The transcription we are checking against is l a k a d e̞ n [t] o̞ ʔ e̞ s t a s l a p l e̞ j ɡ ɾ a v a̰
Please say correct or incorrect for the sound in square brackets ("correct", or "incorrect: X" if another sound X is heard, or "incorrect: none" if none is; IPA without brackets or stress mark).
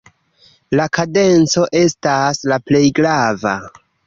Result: incorrect: t͡s